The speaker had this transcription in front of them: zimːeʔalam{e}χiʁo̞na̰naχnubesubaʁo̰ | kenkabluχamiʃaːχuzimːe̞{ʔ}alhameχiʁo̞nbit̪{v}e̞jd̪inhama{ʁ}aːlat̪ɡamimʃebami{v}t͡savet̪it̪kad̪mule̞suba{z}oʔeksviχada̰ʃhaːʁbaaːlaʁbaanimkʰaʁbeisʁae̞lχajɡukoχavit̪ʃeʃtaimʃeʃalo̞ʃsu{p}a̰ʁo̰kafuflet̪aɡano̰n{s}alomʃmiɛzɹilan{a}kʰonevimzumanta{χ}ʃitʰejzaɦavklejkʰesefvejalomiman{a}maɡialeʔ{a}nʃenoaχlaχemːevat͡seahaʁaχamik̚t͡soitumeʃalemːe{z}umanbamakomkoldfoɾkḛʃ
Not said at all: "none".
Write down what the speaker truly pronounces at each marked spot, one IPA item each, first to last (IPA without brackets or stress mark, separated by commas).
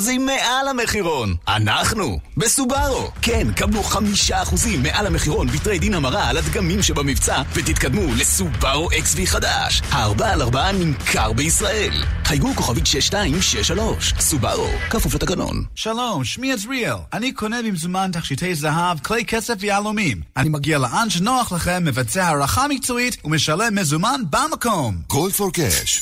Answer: e, ʔ, ʁ, ʁ, v, ʁ, b, ʃ, i, χ, i, a, z